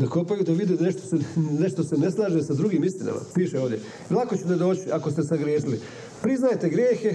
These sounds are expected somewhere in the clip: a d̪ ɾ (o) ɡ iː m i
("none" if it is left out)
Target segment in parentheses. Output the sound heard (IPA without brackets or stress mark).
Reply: u